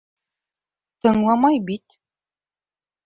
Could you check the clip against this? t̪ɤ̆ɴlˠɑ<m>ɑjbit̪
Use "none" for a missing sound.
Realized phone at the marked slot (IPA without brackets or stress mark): m